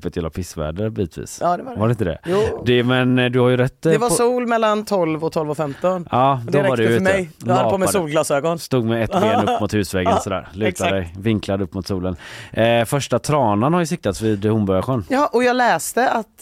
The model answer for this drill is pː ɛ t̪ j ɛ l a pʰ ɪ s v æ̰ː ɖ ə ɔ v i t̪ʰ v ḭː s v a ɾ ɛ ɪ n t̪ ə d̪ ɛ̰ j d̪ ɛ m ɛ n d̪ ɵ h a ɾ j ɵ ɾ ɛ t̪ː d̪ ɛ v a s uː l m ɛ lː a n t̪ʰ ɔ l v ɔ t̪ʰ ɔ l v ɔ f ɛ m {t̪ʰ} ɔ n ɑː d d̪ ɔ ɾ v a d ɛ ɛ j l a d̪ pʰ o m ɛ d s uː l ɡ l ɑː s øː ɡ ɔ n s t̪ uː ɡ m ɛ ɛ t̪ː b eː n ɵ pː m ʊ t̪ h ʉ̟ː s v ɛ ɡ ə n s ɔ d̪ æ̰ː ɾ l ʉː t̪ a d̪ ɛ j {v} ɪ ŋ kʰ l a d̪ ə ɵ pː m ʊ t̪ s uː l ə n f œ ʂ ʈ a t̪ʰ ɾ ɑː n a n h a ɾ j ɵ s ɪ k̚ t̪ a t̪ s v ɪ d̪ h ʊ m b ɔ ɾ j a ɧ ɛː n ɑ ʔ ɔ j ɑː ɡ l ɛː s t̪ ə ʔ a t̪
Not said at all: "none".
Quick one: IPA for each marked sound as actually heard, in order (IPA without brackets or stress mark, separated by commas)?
t̪, v